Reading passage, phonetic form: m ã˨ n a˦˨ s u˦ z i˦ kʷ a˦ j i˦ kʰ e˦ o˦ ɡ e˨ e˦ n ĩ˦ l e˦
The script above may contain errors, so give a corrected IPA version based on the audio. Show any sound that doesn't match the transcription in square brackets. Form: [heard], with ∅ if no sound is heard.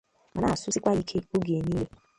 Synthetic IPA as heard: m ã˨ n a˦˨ s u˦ [s] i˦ kʷ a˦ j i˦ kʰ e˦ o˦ ɡ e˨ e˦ n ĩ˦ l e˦

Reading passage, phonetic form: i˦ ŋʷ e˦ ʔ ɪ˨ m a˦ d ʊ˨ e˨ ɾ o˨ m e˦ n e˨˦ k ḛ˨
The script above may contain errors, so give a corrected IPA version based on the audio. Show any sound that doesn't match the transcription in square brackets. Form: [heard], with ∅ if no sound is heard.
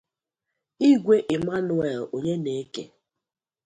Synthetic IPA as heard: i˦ [ɡʷ] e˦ ʔ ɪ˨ m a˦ [n] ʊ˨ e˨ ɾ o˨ [ɲ] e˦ n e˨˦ k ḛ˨

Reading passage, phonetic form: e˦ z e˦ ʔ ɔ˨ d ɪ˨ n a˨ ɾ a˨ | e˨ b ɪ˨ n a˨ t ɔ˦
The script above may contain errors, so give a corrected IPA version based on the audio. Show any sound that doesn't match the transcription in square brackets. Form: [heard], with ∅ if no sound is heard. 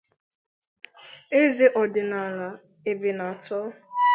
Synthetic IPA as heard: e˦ z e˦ ʔ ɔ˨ d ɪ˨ n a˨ [l] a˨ | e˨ b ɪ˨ n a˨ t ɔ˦

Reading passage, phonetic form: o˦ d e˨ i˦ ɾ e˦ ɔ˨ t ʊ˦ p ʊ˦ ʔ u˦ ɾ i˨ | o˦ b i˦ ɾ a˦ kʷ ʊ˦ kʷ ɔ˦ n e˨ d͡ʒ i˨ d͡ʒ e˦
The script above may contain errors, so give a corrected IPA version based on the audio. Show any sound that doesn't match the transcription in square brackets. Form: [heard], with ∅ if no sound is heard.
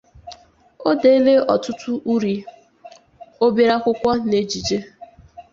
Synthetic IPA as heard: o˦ d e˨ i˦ [l] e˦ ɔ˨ t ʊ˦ [t] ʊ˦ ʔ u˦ ɾ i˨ | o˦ b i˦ ɾ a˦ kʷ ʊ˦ kʷ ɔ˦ n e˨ d͡ʒ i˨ d͡ʒ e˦

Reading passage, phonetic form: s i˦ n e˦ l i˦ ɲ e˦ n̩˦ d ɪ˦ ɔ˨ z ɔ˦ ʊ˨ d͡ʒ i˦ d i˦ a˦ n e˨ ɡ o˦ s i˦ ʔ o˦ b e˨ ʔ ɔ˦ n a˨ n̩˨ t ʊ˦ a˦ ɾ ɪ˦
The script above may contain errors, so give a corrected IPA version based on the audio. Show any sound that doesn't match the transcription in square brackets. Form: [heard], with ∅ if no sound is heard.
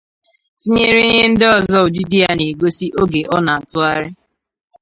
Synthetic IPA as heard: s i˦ [ɲ] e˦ [ɾ] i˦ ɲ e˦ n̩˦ d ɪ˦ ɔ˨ z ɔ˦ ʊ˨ d͡ʒ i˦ d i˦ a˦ n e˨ ɡ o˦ s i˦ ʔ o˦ [ɡ] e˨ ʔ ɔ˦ n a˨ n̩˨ t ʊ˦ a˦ ɾ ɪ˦

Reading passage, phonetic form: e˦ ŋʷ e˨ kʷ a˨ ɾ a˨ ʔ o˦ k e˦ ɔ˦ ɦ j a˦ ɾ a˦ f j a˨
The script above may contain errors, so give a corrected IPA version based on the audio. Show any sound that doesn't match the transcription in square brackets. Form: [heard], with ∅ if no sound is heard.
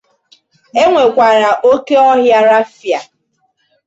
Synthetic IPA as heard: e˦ ŋʷ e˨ kʷ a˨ ɾ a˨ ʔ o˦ k e˦ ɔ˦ ɦ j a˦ ɾ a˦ f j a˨

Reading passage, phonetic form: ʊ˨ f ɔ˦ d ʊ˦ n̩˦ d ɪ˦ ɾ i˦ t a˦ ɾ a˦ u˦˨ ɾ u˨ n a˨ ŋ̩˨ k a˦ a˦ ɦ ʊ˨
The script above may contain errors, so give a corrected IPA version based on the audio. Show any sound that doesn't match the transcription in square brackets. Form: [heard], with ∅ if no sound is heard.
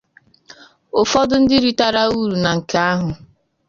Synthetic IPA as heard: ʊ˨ f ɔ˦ d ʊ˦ n̩˦ d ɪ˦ ɾ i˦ t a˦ ɾ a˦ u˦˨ ɾ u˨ n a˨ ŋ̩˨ k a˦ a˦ ɦ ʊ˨

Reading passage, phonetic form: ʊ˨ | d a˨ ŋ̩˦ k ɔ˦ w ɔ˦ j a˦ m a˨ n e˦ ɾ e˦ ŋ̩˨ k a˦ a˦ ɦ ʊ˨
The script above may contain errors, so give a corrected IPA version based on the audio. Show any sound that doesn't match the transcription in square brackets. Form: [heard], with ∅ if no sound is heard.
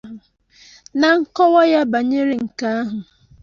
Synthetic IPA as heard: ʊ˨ | [n] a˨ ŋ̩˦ k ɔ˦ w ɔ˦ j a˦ [b] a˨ [ɲ] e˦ ɾ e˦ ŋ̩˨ k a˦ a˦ ɦ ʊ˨

